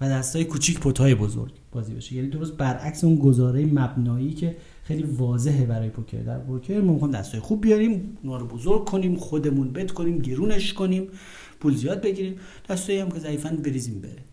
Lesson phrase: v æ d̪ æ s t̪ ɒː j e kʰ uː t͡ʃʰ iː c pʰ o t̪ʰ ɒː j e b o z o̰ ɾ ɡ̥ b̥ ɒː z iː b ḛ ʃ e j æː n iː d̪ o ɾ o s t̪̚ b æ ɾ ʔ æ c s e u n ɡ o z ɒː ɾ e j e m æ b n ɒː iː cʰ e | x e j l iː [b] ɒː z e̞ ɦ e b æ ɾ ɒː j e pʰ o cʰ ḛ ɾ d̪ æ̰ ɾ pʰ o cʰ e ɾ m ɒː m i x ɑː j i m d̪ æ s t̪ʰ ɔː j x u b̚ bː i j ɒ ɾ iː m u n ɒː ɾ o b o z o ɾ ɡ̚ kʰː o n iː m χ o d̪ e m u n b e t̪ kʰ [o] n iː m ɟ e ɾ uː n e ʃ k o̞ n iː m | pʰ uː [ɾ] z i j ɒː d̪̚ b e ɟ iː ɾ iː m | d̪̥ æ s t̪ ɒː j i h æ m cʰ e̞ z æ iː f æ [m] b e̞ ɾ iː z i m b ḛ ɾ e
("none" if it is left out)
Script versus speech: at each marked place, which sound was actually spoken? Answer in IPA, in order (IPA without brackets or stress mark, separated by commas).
v, o, l, n